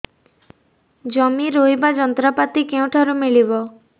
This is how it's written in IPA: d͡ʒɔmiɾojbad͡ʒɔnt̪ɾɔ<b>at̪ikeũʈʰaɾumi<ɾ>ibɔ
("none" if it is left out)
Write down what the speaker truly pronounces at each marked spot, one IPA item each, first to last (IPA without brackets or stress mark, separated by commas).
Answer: p, ɭ